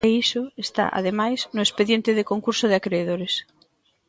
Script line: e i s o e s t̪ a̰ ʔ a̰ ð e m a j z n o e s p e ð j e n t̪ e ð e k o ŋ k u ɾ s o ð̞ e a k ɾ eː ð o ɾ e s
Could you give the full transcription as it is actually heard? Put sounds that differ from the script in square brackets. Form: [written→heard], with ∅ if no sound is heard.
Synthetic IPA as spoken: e i s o e s t̪ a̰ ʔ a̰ ð e m a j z n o e s p e ð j e n t̪ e ð e k o ŋ k u ɾ s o ð̞ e a k ɾ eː ð o ɾ e s

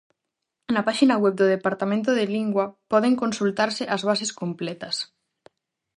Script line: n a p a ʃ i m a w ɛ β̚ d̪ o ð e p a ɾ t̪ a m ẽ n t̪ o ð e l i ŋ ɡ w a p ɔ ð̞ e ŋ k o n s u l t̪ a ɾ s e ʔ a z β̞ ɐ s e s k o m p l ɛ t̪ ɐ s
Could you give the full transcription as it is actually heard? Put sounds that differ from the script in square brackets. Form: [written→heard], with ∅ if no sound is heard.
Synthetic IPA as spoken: n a p a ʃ i [m→n] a w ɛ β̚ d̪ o ð e p a ɾ t̪ a m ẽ n t̪ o ð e l i ŋ ɡ w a p ɔ ð̞ e ŋ k o n s u l t̪ a ɾ s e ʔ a z β̞ [ɐ→a] s e s k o m p l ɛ t̪ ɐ s

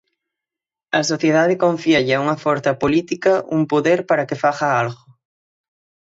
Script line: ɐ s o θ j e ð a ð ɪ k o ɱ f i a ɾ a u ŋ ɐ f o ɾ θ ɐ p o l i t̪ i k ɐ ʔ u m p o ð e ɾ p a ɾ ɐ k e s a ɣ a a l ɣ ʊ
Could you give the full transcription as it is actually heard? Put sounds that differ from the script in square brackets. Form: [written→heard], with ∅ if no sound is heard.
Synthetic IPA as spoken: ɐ s o θ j e ð a ð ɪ k o ɱ f i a [ɾ→ʎ] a u ŋ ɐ f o ɾ θ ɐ p o l i t̪ i k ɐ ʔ u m p o ð e ɾ p a ɾ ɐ k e [s→f] a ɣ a a l ɣ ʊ

